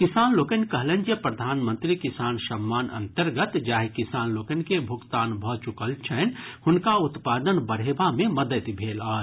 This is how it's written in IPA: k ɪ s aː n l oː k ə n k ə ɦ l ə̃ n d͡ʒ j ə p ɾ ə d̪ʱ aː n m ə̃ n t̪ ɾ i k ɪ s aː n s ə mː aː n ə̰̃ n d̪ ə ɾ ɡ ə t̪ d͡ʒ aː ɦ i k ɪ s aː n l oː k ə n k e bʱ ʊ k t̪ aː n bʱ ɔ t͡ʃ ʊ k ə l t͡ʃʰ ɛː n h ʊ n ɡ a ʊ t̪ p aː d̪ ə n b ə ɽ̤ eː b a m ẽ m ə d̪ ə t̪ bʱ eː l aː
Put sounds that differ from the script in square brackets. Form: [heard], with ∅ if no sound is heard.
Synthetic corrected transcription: k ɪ s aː n l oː k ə n k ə ɦ l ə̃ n d͡ʒ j ə p ɾ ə d̪ʱ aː n m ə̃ n t̪ ɾ i k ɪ s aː n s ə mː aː n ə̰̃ n [t̪] ə ɾ ɡ ə t̪ d͡ʒ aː ɦ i k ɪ s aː n l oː k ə n k e bʱ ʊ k t̪ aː n bʱ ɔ t͡ʃ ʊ k ə l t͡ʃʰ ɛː n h ʊ n [k] a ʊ t̪ p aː d̪ ə n b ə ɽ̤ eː b a m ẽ m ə d̪ ə t̪ bʱ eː l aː